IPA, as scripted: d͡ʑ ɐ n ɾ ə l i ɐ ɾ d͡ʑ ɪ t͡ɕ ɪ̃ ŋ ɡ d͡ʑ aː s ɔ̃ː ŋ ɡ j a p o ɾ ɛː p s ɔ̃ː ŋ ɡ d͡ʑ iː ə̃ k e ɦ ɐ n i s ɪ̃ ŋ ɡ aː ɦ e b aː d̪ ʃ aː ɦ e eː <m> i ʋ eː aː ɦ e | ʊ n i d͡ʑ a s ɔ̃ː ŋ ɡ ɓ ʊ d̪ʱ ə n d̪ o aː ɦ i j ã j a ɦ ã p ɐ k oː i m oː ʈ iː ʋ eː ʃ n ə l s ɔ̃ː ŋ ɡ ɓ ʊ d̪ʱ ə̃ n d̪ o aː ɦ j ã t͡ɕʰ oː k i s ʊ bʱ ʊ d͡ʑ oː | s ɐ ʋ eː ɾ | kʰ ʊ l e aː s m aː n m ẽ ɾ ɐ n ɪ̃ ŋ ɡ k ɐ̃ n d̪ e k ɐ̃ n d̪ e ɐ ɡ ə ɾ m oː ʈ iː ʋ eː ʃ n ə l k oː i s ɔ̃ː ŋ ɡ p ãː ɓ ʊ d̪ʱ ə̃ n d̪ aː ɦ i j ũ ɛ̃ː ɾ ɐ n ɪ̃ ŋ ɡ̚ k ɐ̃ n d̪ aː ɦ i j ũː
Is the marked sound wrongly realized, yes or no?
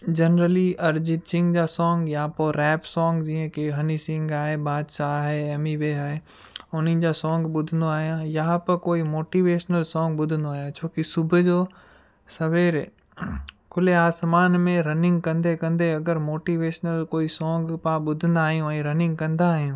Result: no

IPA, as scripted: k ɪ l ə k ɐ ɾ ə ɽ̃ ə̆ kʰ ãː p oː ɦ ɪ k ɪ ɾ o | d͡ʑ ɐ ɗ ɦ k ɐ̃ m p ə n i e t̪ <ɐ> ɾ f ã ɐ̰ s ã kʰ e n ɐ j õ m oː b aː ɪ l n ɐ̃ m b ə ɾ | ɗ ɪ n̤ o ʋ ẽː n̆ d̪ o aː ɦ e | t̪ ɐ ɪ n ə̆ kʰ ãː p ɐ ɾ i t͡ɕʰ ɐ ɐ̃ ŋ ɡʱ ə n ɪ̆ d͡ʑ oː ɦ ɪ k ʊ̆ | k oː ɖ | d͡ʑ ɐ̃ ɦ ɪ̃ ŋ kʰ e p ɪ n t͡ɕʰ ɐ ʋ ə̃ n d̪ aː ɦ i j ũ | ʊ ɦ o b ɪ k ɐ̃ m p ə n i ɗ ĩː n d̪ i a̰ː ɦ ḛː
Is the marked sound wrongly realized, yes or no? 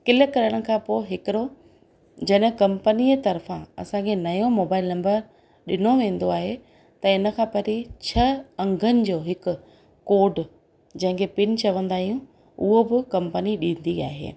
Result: no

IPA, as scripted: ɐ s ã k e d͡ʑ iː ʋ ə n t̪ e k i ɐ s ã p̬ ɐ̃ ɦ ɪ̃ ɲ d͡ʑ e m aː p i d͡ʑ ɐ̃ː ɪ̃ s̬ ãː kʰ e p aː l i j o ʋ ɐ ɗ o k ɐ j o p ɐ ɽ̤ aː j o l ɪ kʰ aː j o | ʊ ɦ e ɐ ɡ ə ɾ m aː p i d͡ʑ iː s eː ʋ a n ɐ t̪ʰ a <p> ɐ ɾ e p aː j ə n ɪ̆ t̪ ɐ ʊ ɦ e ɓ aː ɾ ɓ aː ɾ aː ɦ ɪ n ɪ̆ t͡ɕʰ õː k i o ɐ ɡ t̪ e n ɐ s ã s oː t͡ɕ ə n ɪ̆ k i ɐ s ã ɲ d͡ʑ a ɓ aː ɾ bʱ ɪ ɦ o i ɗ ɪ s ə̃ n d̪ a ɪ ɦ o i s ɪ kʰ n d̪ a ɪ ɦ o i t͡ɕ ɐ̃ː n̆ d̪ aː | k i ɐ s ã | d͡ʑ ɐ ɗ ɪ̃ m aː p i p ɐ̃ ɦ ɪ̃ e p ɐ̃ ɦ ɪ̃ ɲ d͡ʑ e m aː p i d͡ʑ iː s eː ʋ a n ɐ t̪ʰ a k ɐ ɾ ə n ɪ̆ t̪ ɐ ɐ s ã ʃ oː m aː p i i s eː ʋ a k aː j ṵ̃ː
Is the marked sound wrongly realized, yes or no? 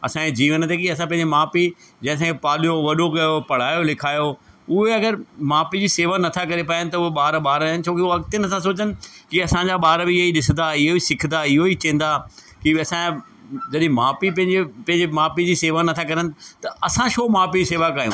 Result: yes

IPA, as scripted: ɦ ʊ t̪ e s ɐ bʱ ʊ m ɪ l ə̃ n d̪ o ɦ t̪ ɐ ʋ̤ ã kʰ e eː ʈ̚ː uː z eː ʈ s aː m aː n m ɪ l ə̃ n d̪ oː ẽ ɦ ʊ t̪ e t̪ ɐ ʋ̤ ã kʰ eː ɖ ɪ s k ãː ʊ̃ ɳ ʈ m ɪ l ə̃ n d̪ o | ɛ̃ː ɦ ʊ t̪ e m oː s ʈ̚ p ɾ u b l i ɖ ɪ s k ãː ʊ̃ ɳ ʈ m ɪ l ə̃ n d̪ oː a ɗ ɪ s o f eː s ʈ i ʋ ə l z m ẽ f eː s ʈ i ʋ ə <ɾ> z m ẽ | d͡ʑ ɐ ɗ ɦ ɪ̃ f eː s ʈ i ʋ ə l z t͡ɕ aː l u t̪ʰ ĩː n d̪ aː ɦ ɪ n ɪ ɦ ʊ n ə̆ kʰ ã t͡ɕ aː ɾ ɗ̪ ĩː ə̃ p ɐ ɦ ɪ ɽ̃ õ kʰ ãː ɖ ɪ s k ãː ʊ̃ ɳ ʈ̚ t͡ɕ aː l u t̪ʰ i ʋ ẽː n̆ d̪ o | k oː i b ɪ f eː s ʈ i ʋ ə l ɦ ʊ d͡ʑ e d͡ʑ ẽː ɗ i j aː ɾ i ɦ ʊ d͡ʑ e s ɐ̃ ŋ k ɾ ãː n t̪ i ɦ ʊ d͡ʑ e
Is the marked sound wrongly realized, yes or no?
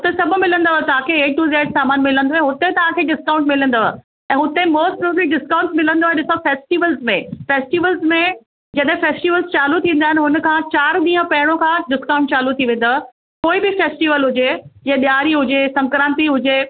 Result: yes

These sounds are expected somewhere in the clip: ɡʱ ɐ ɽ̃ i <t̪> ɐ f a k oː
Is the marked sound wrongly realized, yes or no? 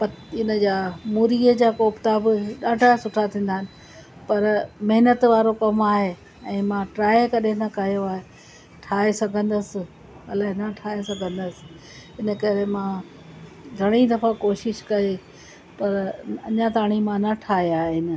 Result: yes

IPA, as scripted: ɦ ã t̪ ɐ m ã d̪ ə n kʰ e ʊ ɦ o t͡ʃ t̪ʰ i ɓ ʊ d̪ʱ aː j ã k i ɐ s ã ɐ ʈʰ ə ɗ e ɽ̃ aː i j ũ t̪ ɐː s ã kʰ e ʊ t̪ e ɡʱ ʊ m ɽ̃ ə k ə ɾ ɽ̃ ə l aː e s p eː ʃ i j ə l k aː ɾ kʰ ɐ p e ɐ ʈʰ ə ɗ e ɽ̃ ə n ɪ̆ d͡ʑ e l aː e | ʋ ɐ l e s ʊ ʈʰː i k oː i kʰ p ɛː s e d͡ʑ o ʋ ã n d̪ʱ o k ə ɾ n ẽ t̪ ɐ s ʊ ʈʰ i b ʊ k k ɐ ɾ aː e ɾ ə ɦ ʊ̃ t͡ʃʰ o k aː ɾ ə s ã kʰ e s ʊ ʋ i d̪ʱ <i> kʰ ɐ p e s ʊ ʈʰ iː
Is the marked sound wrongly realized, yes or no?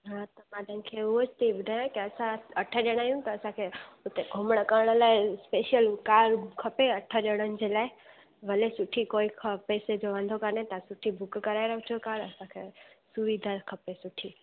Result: yes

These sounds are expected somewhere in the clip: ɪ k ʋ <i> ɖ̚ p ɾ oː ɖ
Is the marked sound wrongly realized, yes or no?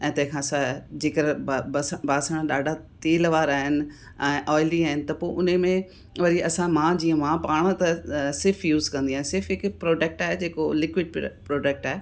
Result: yes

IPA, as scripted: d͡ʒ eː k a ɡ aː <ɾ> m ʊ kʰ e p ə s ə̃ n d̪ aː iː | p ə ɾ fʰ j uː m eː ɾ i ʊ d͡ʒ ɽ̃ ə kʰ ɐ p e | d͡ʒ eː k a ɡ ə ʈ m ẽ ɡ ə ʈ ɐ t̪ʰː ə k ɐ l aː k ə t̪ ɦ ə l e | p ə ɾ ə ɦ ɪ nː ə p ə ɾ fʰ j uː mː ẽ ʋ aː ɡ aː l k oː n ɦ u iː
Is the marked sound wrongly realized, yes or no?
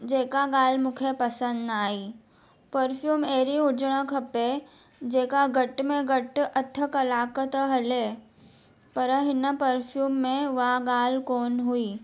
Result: yes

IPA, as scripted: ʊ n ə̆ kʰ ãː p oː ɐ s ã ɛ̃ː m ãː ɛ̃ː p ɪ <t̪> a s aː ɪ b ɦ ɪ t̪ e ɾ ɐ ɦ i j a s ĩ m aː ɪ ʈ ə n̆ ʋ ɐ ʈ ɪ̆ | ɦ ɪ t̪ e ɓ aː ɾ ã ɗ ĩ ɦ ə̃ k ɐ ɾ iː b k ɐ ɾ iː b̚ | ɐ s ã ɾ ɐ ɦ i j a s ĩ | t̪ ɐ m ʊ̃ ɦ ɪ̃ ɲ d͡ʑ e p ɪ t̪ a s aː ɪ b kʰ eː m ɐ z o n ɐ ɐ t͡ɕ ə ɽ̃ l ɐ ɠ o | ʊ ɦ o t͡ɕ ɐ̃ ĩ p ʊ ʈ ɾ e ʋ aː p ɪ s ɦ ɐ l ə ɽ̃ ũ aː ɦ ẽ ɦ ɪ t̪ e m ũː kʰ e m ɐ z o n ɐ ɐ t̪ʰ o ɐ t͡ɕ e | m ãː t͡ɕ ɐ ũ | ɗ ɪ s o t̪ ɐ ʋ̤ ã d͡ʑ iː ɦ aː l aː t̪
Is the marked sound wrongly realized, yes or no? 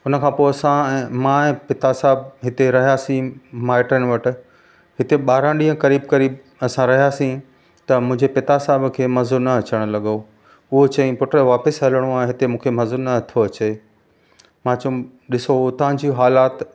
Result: no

